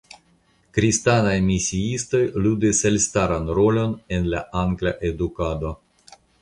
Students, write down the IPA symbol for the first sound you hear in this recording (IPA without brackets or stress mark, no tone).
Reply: k